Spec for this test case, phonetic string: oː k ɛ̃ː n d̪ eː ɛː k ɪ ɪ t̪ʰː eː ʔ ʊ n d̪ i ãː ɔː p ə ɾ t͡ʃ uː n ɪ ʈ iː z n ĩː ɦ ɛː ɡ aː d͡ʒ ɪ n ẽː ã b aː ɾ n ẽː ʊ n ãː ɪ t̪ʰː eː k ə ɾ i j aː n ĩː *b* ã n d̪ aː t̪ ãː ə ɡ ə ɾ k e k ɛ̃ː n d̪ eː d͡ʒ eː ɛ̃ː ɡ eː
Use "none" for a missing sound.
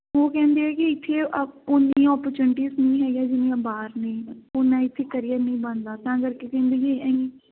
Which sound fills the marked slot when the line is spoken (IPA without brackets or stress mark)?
b